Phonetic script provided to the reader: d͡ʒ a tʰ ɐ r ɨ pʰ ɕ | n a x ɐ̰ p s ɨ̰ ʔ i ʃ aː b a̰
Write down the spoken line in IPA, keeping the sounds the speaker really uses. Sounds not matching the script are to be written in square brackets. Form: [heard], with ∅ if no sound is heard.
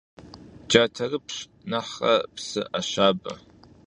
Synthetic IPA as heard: d͡ʒ a tʰ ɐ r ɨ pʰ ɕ | n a [ħ] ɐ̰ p s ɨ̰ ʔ [a] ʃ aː b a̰